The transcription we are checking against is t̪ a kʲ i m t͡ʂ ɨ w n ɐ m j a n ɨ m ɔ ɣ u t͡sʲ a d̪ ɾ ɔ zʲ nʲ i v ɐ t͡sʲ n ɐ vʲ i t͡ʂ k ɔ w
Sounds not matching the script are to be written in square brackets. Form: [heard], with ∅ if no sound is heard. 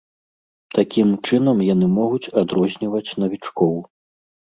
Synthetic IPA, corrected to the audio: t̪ a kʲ i m t͡ʂ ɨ [∅] n ɐ m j a n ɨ m ɔ ɣ u t͡sʲ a d̪ ɾ ɔ zʲ nʲ i v ɐ t͡sʲ n ɐ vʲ i t͡ʂ k ɔ w